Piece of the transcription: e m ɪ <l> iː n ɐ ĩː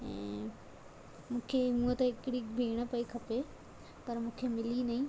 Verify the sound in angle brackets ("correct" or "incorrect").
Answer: correct